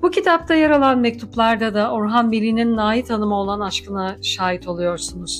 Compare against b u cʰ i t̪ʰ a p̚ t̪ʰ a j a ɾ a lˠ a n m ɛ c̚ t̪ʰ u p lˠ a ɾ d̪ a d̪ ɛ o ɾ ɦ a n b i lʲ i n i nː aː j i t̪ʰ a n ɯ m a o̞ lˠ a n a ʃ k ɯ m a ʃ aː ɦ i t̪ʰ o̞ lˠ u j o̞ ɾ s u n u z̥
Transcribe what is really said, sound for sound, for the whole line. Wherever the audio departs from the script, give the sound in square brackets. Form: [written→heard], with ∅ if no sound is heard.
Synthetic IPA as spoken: b u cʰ i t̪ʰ a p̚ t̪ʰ a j a ɾ a lˠ a n m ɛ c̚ t̪ʰ u p lˠ a ɾ d̪ a d̪ [ɛ→a] o ɾ ɦ a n b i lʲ i n i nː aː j i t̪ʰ a n ɯ m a o̞ lˠ a n a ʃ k ɯ [m→n] a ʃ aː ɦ i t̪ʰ o̞ lˠ u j o̞ ɾ s u n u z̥